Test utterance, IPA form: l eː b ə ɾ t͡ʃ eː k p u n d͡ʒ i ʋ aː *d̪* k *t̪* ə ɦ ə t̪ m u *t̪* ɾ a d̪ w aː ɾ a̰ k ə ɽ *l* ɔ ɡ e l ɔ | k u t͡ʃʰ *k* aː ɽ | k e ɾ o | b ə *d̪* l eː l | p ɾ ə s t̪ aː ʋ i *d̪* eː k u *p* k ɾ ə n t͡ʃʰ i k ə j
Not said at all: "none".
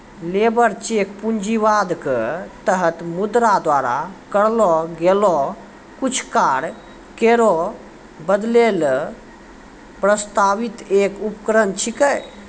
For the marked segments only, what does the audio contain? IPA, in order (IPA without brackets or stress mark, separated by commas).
d̪, t̪, d̪, l, k, d̪, t̪, p